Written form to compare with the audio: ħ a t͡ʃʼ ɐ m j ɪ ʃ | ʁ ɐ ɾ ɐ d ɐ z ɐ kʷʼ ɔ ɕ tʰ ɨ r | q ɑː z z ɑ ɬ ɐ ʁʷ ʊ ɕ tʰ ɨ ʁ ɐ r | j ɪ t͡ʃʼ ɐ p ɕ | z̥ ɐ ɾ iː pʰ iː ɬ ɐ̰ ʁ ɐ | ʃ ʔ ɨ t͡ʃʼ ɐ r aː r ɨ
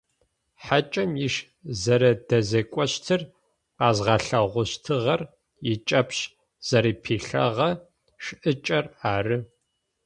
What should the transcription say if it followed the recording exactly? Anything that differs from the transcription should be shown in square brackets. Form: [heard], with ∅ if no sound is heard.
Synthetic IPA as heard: ħ a t͡ʃʼ ɐ m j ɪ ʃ | [z] ɐ ɾ ɐ d ɐ z ɐ kʷʼ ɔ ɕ tʰ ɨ r | q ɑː z [ʁ] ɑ ɬ ɐ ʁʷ ʊ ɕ tʰ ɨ ʁ ɐ r | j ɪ t͡ʃʼ ɐ p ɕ | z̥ ɐ ɾ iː pʰ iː ɬ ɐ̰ ʁ ɐ | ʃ ʔ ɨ t͡ʃʼ ɐ r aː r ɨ